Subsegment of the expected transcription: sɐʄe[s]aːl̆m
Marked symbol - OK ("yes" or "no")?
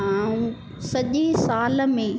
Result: yes